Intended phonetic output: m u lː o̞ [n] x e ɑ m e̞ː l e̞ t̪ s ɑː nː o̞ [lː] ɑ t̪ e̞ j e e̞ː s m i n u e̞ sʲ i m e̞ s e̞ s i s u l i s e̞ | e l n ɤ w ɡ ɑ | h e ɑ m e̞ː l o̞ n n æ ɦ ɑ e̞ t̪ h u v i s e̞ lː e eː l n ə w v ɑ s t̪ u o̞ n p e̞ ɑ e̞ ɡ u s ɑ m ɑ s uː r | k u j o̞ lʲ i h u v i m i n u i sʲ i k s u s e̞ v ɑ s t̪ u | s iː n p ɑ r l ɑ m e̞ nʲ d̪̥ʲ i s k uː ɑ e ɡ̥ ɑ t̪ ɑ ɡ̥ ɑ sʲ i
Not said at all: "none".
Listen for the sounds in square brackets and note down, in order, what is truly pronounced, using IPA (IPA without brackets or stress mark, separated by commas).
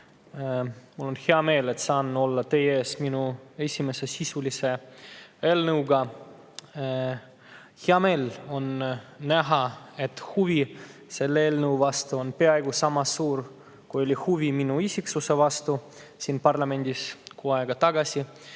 n, lː